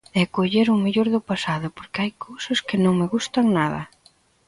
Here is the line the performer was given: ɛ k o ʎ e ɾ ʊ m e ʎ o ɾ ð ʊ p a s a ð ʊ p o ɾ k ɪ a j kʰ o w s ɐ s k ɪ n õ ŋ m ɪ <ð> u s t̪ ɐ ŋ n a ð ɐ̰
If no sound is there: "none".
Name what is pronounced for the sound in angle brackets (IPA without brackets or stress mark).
ɣ